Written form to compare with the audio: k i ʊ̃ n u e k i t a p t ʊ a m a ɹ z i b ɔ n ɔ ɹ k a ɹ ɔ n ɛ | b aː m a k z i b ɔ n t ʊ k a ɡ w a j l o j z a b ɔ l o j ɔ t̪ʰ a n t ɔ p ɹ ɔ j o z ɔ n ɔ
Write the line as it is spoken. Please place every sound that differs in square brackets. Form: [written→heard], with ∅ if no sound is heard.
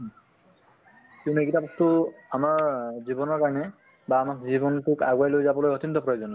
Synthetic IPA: k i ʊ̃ n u e k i t a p t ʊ a m a ɹ z i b ɔ n ɔ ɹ k a ɹ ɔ n ɛ | b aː m a k z i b ɔ n t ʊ k a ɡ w a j l o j z a b ɔ l o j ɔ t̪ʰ [a→i] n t ɔ p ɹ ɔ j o z ɔ n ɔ